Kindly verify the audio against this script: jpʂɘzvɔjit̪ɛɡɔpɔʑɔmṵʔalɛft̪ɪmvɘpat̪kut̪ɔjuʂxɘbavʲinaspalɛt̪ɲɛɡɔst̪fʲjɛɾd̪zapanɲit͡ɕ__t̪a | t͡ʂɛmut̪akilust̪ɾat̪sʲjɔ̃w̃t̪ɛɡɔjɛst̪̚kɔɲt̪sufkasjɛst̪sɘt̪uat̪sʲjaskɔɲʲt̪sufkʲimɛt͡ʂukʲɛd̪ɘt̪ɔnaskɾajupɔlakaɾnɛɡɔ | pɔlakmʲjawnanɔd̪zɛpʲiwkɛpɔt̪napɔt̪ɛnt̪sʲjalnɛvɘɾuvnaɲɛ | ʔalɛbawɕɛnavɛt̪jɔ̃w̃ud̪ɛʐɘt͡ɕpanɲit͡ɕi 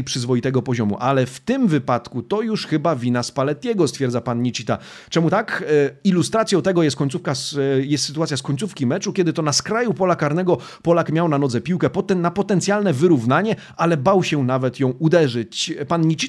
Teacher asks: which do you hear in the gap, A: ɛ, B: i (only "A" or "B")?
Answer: B